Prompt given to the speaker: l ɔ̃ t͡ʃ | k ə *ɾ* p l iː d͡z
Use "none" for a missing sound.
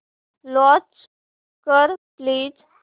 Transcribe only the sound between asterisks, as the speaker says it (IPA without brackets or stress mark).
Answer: ɾ